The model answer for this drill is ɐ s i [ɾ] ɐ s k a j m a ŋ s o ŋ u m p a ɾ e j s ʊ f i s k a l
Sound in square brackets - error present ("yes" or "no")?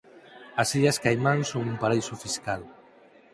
yes